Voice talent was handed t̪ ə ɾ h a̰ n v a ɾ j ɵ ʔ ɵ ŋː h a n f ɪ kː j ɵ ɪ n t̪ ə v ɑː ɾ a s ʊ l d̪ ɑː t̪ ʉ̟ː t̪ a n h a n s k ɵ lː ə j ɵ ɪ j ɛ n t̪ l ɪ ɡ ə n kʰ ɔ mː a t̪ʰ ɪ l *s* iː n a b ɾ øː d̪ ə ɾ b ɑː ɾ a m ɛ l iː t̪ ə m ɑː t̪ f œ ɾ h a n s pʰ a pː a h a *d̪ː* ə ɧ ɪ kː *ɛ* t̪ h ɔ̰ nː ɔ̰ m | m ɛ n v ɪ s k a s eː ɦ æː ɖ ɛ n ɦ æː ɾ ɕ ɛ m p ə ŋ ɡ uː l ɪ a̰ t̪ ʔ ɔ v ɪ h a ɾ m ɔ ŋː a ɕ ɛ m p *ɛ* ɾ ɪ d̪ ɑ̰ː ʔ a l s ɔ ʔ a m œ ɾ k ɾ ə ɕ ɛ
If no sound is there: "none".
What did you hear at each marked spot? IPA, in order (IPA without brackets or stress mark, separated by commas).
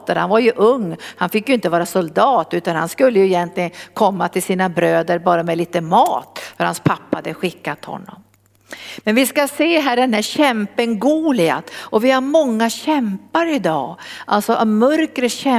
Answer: s, d̪, a, a